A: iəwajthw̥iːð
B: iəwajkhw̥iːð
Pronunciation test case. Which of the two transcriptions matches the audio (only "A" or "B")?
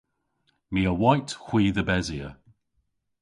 A